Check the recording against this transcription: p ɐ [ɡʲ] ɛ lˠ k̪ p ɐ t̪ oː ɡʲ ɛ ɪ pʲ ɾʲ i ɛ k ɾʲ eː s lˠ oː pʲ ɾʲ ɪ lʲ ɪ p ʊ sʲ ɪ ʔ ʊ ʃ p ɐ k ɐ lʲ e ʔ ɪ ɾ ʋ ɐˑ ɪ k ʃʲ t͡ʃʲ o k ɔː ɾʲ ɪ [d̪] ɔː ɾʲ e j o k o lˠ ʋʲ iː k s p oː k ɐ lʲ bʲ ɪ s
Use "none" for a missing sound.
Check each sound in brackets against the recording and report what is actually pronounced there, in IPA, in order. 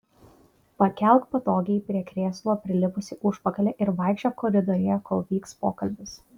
kʲ, d̪

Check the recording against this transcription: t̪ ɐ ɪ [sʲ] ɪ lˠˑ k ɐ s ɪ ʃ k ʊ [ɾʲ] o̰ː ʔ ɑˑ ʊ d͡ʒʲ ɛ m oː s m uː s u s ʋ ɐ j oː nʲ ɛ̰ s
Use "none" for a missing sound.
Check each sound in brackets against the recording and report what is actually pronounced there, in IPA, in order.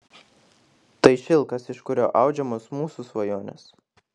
ʃʲ, ɾʲ

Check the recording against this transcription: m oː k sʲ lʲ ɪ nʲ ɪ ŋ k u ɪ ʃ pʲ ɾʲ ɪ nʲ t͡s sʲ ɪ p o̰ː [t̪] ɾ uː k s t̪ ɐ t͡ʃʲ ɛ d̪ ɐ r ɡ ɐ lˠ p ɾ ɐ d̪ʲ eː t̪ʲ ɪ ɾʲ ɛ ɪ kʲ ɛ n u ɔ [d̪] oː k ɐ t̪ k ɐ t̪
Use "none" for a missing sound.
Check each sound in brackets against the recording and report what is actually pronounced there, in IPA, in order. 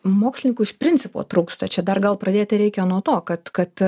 t̪, t̪

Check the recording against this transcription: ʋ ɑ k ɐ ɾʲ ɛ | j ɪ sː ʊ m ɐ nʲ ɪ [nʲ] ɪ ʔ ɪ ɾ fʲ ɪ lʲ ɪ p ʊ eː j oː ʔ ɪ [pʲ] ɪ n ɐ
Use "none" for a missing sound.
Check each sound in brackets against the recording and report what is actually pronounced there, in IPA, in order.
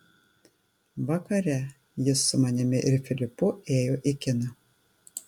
mʲ, kʲ

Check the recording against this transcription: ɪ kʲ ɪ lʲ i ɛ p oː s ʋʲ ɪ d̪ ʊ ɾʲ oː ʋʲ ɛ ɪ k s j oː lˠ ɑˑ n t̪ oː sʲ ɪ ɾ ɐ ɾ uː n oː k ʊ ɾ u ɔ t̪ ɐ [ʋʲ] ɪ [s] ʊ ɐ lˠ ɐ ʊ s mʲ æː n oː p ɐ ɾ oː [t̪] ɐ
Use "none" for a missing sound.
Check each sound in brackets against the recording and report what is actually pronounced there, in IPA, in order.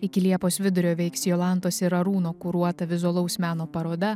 ʋʲ, z, d̪

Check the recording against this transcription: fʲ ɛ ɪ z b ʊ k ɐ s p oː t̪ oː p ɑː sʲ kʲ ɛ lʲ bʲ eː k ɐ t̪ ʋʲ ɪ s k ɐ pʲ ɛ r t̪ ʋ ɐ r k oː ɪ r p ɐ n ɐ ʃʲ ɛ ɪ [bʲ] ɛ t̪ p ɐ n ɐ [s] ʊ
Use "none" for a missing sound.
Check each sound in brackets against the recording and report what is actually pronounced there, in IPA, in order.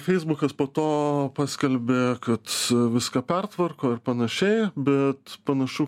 bʲ, ʃ

